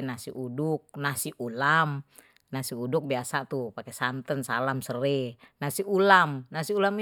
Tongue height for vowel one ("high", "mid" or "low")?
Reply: low